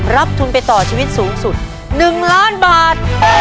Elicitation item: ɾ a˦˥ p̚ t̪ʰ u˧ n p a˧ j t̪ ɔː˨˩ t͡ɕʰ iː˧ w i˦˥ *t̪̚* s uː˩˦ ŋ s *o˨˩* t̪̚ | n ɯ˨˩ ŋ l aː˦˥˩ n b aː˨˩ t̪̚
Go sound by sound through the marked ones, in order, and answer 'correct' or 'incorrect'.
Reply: correct, incorrect

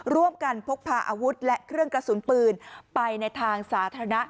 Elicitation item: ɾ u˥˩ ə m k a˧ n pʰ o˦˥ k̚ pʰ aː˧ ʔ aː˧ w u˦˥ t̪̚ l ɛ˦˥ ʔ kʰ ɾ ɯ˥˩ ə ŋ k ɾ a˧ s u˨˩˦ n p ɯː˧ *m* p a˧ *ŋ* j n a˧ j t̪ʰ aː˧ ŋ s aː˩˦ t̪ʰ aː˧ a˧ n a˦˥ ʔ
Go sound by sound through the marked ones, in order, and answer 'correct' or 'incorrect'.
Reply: incorrect, incorrect

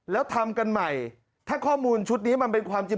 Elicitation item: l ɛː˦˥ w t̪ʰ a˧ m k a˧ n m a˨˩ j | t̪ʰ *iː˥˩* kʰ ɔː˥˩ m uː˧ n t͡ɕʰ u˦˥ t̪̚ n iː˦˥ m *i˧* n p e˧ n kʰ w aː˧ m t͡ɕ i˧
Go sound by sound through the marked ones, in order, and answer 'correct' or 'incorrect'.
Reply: incorrect, incorrect

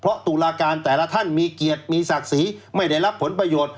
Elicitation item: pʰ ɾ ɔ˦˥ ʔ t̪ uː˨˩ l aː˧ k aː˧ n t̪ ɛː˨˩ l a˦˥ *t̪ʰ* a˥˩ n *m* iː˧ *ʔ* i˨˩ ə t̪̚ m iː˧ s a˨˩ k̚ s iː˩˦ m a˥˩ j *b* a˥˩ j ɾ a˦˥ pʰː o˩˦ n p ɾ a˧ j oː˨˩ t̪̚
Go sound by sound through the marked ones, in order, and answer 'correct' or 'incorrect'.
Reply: correct, correct, incorrect, incorrect

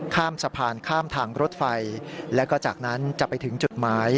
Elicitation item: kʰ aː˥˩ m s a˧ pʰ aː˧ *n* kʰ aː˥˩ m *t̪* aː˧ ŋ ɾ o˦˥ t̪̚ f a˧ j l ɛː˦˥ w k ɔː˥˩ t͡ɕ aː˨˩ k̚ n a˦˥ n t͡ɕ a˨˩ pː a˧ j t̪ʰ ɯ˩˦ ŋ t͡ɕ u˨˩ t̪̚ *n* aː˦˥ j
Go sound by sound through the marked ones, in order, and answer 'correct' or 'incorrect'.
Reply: correct, incorrect, incorrect

